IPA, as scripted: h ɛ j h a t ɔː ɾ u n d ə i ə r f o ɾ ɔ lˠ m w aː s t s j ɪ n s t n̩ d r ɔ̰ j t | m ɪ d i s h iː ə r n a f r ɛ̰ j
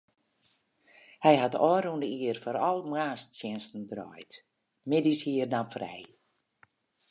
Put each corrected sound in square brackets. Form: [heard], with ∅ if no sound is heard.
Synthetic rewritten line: h ɛ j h a t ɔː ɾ u n d ə i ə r f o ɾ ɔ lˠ m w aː s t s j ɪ n s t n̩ d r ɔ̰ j t | m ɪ d i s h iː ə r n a f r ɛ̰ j